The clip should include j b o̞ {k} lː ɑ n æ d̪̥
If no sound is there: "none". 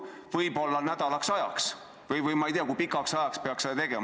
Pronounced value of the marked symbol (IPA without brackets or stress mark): none